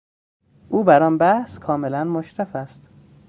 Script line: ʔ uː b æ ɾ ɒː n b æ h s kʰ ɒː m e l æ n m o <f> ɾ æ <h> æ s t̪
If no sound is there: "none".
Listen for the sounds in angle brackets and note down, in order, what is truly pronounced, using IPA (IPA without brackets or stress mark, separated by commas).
ʃ, f